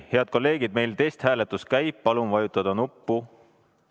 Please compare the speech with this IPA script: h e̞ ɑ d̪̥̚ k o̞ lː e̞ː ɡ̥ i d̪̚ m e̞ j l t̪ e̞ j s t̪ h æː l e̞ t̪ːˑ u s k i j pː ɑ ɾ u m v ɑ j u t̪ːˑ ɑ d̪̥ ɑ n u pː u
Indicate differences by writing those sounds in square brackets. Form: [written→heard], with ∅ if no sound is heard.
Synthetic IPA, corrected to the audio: h e̞ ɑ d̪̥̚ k o̞ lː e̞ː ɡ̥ i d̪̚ m e̞ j l t̪ e̞ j s t̪ h æː l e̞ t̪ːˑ u s k [i→æ] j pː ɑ [ɾ→l] u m v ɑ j u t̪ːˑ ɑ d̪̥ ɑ n u pː u

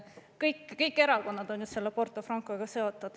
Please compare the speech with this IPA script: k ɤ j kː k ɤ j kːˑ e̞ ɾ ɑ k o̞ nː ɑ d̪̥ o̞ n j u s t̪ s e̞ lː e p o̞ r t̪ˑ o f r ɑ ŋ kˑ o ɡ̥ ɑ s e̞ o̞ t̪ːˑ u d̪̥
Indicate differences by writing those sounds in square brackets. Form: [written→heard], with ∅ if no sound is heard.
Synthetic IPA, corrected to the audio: k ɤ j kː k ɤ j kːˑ e̞ ɾ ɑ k o̞ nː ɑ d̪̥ o̞ n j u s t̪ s e̞ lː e p o̞ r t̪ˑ o f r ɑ ŋ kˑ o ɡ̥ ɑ s e̞ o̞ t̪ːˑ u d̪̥

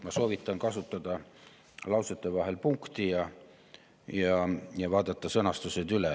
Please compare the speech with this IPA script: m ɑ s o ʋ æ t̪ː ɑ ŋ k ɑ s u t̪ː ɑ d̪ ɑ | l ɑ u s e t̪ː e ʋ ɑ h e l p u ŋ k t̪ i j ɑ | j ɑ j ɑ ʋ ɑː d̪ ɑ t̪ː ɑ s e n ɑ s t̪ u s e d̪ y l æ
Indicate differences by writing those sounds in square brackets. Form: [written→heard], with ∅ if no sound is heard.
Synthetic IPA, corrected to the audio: m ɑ s o ʋ [æ→i] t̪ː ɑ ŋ k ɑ s u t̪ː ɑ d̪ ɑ | l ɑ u s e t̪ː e ʋ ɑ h e l p u ŋ k t̪ i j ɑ | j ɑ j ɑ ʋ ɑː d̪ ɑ t̪ː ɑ s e n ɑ s t̪ u s e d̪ y l æ

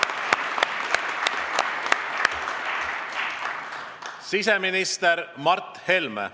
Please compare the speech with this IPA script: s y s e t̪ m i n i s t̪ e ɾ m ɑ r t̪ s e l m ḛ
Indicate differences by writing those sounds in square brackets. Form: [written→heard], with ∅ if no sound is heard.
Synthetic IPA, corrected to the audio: s [y→i] s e [t̪→∅] m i n i s t̪ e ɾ m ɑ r t̪ [s→h] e l m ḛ

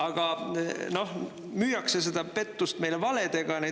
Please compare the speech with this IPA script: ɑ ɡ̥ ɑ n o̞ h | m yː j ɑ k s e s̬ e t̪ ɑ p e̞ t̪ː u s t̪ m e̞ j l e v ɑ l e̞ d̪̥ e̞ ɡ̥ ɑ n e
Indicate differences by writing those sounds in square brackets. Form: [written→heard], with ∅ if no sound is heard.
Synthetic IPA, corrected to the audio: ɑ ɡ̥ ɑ n o̞ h | m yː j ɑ k s e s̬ e [t̪→d̪] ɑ p e̞ t̪ː u s t̪ m e̞ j l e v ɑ l e̞ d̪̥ e̞ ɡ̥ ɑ n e

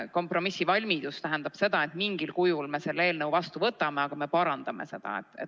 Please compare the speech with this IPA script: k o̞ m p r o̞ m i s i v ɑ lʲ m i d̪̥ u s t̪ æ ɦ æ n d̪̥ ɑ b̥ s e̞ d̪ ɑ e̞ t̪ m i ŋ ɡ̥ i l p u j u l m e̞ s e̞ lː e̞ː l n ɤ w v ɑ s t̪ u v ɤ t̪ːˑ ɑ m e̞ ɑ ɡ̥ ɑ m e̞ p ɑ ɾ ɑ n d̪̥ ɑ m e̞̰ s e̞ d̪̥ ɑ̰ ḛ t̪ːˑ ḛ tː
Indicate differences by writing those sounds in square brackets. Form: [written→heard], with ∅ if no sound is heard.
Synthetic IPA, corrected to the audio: k o̞ m p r o̞ m i s i v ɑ lʲ m i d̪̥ u s t̪ æ ɦ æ n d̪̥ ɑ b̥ s e̞ d̪ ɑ e̞ t̪ m i ŋ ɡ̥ i l [p→k] u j u l m e̞ s e̞ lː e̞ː l n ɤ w v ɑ s t̪ u v ɤ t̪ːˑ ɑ m e̞ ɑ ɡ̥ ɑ m e̞ p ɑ ɾ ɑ n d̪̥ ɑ m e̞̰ s e̞ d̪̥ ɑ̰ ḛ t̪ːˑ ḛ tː

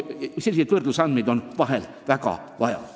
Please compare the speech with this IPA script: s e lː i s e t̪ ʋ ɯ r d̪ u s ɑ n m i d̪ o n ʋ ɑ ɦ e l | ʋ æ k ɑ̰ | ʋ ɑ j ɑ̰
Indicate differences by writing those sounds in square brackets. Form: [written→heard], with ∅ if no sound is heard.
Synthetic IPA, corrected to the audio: s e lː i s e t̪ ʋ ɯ r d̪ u s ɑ n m i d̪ o n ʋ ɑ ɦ e l | ʋ æ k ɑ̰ | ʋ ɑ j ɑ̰

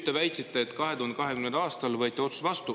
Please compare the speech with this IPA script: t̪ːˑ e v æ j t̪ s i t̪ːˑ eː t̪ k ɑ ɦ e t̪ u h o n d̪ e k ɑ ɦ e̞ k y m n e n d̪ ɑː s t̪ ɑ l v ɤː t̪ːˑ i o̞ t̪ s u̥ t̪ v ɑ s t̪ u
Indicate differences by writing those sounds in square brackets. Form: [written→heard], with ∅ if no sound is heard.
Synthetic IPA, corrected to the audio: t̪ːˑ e v æ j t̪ s i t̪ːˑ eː t̪ k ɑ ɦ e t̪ u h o n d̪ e k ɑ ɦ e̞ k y m n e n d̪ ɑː s t̪ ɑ l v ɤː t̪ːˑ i o̞ t̪ s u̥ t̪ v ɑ s t̪ u

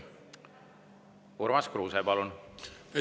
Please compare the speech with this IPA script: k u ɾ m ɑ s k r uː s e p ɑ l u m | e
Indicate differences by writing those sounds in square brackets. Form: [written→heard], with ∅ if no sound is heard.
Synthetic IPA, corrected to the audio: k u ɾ m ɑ s k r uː s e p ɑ l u [m→n] | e

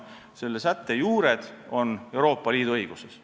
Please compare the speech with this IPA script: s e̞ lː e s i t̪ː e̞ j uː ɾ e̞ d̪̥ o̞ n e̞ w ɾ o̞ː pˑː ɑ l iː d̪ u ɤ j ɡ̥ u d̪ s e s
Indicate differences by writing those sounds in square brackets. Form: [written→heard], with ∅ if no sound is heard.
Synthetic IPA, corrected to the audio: s e̞ lː e s [i→æ] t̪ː e̞ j uː ɾ e̞ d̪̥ o̞ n e̞ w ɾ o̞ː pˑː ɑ l iː d̪ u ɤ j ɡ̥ u [d̪→∅] s e s

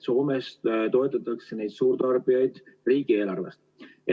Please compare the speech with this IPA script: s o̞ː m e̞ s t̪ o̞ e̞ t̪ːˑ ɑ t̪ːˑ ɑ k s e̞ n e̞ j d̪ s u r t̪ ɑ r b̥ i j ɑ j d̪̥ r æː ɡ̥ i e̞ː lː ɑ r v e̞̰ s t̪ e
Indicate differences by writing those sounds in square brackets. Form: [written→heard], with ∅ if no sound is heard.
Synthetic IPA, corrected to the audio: s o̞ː m e̞ s t̪ o̞ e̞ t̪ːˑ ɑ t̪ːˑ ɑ k s e̞ n e̞ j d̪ s [u→uː] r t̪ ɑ r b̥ i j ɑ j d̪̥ r [æː→iː] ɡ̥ i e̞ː [lː→l] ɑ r v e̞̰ s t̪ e

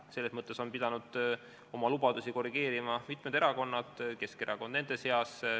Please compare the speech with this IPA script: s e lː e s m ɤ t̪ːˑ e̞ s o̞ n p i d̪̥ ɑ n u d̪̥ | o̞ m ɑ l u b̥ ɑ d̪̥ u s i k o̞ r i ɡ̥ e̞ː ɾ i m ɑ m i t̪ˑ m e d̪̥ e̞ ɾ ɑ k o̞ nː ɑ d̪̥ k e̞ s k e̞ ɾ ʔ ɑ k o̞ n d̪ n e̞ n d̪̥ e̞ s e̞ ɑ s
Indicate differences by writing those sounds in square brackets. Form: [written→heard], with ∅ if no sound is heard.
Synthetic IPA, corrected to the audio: s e lː e s m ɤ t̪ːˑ e̞ s o̞ n p i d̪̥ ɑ n u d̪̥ | o̞ m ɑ l u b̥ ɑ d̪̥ u s i k o̞ r i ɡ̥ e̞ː ɾ i m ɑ m i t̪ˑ m e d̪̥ e̞ ɾ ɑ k o̞ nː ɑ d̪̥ k e̞ s k e̞ ɾ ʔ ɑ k o̞ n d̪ n e̞ n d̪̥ e̞ s e̞ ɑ s

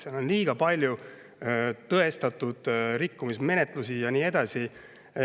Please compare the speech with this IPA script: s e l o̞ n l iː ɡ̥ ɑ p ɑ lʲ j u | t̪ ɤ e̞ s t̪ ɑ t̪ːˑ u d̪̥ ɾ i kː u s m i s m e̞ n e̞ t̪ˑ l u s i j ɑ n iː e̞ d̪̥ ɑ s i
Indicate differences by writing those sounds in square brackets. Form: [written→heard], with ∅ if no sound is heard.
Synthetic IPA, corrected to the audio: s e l o̞ n l iː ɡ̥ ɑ p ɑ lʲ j u | t̪ ɤ e̞ s t̪ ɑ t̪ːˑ u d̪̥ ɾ i kː u [s→∅] m i s m e̞ n e̞ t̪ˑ l u s i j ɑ n iː e̞ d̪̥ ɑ s i

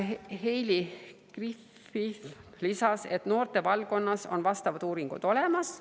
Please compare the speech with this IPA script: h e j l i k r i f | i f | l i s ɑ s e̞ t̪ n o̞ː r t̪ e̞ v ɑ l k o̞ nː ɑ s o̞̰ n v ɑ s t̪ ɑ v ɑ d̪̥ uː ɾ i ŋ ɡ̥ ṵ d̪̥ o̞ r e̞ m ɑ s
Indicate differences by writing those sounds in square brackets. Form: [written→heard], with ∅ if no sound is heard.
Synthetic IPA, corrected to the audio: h e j l i k r i f | i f | l i s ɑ s e̞ t̪ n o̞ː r t̪ e̞ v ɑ l k o̞ nː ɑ s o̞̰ n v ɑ s t̪ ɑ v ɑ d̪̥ uː ɾ i ŋ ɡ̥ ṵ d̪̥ o̞ [r→l] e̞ m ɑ s

